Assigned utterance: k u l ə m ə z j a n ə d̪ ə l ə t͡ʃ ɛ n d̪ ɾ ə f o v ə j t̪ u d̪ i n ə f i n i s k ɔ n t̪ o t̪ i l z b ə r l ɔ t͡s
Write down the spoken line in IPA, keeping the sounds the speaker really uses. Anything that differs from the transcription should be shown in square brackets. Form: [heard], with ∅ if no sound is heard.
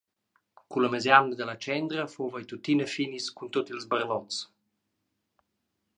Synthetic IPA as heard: k u l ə m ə z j a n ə d̪ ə l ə t͡ʃ ɛ n d̪ ɾ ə f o v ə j t̪ u [t̪] i n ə f i n i s k [u] n t̪ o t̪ i l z b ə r l ɔ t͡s